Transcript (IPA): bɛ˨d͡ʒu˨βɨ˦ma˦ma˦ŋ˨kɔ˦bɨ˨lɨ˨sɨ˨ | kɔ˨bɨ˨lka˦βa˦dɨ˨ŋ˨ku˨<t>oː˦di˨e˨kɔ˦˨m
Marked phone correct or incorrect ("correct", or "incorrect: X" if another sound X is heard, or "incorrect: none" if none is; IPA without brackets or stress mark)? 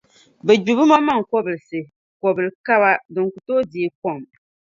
correct